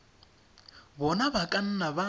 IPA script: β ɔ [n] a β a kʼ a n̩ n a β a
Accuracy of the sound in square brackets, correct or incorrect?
correct